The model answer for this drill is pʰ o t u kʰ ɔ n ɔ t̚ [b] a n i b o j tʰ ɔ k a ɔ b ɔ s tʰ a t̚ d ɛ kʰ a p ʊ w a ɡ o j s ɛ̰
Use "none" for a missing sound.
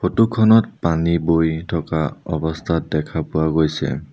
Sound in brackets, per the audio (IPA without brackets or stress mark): p